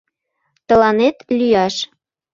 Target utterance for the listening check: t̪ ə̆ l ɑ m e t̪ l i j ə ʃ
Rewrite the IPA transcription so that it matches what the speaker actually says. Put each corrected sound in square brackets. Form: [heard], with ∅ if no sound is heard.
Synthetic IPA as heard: t̪ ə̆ l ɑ [n] e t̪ l [y] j [ɑ] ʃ